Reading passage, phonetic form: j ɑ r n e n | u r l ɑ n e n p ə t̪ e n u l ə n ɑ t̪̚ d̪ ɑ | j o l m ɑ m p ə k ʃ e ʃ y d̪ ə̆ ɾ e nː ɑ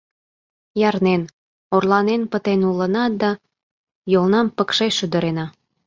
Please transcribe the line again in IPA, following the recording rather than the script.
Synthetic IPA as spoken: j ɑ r n e n | o r l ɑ n e n p ə t̪ e n u l ə n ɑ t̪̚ d̪ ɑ | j o l n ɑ m p ə k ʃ e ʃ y d̪ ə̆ ɾ e n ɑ